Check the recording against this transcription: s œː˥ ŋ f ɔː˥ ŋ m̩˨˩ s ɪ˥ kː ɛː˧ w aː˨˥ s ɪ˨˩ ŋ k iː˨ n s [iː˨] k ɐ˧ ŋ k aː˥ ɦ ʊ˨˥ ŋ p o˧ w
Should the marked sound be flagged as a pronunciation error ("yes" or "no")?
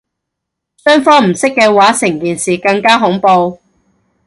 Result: no